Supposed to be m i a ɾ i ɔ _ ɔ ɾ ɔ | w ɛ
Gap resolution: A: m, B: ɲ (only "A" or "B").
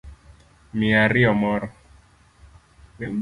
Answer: A